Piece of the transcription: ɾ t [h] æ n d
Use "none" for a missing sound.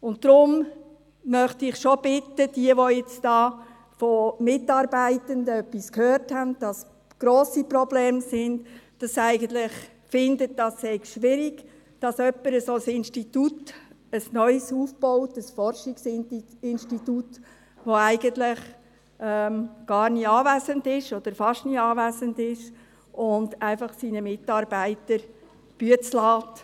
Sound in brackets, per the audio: h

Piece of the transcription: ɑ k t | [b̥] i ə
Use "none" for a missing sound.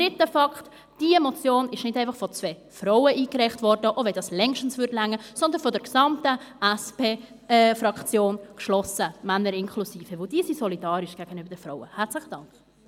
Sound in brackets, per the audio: d̥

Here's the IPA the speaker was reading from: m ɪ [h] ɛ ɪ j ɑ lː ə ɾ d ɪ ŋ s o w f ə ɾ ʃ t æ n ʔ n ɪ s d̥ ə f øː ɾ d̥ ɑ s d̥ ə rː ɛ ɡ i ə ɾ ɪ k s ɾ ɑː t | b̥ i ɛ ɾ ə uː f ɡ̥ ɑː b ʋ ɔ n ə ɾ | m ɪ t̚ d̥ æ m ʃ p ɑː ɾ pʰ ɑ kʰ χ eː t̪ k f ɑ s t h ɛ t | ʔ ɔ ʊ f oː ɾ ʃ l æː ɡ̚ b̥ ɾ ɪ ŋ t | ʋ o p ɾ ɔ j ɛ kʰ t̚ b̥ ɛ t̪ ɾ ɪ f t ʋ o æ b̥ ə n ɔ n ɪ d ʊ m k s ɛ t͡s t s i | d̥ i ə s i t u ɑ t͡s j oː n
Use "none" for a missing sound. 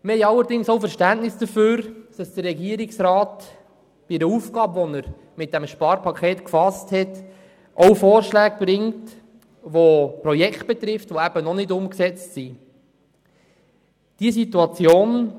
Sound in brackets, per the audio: h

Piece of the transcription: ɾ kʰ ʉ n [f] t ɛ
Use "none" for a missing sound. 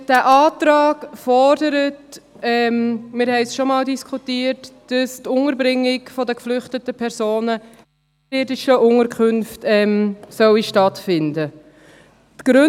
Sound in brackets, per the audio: f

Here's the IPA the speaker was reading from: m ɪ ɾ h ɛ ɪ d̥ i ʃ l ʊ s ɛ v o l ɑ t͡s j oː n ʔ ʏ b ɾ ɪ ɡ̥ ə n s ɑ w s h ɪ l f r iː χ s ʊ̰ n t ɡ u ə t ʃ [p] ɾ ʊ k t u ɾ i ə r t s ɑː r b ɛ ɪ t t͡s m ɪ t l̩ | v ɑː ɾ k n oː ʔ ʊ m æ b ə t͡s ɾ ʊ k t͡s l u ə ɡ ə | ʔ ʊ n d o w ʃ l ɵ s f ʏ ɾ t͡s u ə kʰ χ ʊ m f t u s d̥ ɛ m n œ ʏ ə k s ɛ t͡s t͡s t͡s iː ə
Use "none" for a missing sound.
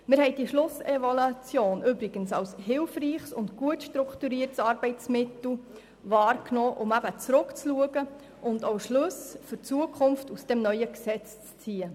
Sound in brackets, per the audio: t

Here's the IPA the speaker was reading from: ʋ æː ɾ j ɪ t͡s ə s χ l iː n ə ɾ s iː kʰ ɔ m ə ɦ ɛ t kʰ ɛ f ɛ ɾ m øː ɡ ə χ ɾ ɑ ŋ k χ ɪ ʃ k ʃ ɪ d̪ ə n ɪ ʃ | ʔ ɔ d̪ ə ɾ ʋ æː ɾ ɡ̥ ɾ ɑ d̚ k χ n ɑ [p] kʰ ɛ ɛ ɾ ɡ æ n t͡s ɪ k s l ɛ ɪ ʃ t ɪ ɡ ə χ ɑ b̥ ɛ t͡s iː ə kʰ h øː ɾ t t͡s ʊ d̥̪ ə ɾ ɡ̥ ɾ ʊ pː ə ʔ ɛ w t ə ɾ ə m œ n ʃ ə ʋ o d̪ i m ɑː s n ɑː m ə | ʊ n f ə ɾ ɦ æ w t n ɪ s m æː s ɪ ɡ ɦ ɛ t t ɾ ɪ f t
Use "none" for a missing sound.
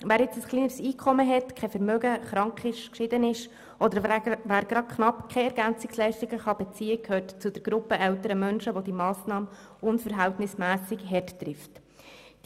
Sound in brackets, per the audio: p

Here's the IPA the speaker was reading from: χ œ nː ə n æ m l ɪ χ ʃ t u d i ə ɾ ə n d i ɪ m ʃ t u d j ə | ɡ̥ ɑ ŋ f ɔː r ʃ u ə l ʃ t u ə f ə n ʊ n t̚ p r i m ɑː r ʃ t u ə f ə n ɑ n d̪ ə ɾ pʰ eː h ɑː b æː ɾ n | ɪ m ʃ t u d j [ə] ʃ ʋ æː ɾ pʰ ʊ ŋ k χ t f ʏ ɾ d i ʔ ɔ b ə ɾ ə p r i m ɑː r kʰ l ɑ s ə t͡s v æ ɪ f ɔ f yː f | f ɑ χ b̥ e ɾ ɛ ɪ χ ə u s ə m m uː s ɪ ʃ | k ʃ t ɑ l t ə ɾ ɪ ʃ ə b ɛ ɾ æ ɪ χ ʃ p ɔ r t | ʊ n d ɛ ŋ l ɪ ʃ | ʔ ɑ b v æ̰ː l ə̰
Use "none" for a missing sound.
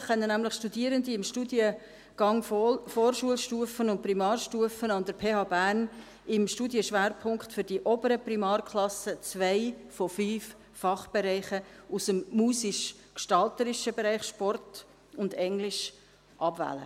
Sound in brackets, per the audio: ə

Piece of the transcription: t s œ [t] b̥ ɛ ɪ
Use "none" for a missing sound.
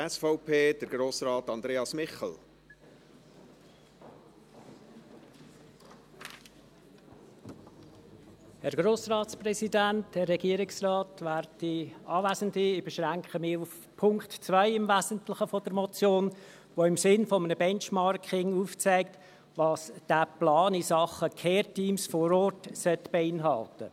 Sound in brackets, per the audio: t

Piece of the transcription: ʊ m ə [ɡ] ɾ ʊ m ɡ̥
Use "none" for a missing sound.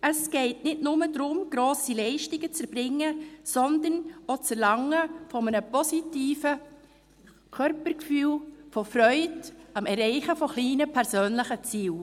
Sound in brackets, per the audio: d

